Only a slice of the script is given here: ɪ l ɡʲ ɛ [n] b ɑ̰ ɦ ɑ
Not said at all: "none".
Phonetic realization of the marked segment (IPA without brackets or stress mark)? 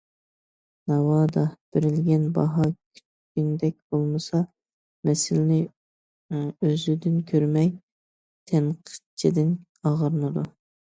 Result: n